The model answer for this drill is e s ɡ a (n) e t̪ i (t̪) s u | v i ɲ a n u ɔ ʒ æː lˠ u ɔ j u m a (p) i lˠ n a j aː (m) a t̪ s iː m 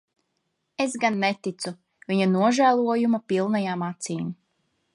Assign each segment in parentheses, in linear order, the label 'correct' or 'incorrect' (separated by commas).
incorrect, correct, correct, correct